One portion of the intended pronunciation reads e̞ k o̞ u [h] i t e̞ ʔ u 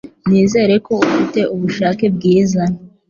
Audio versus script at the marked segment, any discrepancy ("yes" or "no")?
yes